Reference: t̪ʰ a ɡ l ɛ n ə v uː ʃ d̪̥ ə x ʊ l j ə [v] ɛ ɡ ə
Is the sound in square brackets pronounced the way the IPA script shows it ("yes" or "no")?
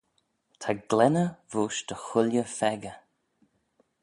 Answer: no